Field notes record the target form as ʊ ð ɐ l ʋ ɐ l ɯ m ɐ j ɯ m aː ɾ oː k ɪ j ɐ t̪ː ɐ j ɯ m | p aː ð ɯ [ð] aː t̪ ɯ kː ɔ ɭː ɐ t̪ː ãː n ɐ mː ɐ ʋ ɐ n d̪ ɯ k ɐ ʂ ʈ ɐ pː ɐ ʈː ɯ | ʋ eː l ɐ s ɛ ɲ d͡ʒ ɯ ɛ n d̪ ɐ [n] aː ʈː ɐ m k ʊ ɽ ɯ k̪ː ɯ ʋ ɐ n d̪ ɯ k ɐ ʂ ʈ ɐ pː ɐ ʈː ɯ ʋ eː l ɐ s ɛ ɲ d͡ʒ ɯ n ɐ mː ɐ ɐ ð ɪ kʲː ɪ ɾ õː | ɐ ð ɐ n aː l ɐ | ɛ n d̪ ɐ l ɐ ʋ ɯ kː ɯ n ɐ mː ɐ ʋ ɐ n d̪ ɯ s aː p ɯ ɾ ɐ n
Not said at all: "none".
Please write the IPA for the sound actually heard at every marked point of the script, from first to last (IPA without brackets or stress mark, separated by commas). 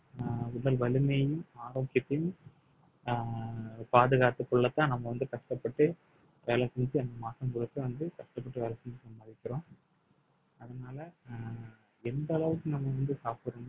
ɣ, m